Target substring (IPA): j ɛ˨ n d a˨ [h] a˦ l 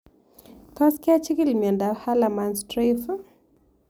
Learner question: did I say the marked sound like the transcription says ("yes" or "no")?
yes